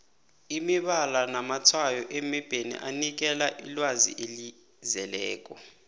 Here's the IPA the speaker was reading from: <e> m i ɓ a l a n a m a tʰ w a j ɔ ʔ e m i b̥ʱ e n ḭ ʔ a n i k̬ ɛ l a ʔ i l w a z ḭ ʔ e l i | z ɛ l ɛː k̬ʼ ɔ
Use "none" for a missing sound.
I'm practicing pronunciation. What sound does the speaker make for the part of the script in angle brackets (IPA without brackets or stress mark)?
i